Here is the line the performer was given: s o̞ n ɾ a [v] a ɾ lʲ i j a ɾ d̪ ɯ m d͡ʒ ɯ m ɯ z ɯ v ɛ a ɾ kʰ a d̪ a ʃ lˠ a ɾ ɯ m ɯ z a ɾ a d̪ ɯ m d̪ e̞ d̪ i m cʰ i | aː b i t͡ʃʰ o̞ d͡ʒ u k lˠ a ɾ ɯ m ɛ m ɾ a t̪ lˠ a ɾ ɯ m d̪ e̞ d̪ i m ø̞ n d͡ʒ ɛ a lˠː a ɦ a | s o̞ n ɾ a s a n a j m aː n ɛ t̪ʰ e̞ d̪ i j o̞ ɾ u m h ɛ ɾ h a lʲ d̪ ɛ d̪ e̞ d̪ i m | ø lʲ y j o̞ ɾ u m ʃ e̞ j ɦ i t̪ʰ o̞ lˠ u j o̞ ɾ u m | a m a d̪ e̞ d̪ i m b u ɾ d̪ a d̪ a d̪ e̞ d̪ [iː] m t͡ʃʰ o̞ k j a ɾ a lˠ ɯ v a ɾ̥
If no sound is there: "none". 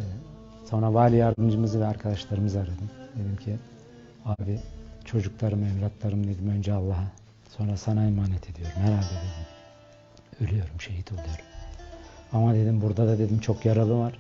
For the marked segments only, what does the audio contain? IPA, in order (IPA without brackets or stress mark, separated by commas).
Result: v, i